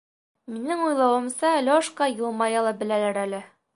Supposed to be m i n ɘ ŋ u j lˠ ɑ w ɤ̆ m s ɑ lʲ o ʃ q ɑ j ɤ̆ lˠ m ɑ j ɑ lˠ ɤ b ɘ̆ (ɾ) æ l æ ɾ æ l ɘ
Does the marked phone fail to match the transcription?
yes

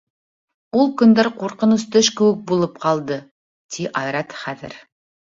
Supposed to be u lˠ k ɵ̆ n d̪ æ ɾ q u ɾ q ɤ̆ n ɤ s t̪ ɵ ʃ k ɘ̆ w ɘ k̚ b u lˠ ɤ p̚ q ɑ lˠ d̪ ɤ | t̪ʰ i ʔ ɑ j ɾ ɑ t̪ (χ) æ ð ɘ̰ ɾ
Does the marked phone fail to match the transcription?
no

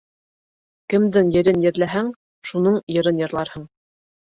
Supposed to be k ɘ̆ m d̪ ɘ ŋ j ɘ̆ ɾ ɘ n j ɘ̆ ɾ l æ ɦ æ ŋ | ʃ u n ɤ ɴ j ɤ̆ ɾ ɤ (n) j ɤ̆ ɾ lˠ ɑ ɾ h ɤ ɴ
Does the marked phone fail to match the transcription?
no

